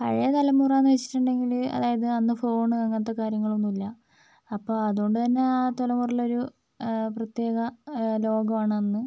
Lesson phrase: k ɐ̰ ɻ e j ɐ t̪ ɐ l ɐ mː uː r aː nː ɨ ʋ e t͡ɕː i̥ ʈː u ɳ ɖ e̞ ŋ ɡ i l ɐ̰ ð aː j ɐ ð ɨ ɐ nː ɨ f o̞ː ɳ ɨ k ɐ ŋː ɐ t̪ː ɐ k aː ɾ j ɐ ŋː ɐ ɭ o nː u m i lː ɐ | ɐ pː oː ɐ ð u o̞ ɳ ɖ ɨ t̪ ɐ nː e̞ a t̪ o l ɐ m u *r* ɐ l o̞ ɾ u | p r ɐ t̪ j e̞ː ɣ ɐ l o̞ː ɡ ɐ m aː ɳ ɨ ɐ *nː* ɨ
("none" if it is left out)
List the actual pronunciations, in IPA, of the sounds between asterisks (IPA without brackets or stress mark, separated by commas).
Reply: r, nː